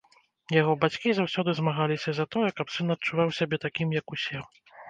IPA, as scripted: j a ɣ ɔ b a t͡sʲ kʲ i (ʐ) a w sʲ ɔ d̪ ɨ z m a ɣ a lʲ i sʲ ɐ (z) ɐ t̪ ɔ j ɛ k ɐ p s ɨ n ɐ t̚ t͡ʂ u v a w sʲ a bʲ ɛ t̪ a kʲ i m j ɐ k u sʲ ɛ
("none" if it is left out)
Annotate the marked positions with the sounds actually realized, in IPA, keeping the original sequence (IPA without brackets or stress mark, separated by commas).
z, z